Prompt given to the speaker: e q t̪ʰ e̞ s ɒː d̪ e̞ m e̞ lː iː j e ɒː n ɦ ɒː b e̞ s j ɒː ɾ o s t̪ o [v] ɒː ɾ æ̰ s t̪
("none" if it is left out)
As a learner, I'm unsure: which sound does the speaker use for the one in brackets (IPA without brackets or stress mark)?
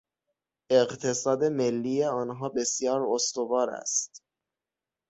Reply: v